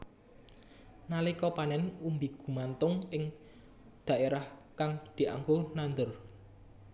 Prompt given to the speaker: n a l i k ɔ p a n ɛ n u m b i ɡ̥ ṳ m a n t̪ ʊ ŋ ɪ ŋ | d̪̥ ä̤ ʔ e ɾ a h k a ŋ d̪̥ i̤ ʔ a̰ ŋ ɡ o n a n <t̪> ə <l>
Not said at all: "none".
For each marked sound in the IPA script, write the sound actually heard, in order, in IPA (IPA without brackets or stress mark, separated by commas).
d̪, r